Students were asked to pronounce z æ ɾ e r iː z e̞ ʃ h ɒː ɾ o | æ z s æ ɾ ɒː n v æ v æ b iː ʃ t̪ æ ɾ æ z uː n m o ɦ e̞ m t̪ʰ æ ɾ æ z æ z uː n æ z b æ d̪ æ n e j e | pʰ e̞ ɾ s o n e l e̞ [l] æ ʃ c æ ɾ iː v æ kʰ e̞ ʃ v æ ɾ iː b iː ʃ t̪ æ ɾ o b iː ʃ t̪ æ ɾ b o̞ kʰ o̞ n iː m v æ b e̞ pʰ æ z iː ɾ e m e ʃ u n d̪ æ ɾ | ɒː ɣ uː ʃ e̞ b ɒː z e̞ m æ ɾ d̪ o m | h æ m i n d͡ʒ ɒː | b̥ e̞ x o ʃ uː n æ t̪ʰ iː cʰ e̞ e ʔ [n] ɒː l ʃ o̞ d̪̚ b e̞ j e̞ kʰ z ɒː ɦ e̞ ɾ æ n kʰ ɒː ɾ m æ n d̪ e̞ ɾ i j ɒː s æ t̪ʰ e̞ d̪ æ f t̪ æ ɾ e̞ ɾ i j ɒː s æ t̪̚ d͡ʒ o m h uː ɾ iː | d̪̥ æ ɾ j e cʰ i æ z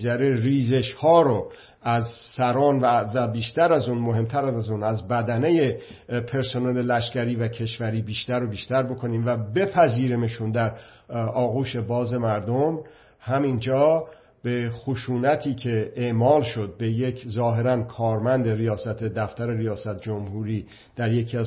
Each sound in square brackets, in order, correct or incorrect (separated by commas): correct, incorrect